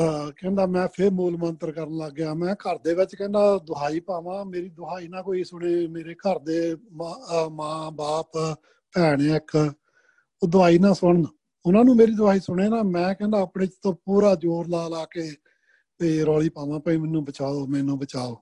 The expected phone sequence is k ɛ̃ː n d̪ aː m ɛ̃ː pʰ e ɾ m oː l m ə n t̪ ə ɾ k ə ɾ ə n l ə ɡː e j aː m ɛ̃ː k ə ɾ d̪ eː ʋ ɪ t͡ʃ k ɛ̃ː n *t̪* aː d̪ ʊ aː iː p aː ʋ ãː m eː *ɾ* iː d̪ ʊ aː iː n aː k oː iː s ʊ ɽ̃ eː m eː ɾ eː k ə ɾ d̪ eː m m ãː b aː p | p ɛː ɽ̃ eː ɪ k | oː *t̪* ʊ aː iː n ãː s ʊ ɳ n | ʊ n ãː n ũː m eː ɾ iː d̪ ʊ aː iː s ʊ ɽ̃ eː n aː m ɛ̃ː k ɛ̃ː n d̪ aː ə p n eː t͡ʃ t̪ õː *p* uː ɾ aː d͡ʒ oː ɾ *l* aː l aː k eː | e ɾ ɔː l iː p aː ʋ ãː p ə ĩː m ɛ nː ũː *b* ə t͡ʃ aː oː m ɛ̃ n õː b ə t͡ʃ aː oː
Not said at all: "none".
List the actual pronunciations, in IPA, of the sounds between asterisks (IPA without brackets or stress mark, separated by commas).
d̪, ɾ, d̪, p, l, b